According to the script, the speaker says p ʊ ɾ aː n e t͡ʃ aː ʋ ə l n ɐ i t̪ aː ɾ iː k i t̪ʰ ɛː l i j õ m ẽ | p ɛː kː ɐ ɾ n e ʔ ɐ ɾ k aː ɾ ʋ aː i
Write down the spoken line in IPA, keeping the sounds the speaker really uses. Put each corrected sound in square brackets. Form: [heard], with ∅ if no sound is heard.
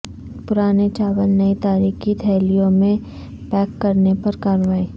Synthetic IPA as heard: p ʊ ɾ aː n e t͡ʃ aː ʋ ə l n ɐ i t̪ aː ɾ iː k i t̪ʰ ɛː l i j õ m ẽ | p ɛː kː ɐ ɾ n e [p] ɐ ɾ k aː ɾ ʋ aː i